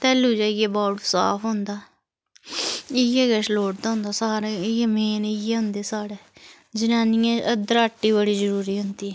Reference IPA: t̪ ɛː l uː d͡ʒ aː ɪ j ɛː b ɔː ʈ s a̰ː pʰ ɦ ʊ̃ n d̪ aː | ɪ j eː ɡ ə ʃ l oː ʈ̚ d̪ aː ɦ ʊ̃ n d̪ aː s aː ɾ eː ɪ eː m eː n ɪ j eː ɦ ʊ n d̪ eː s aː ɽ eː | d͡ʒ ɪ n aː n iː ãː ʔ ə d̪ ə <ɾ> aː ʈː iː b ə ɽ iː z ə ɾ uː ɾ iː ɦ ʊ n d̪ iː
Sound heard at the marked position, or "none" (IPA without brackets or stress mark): ɾ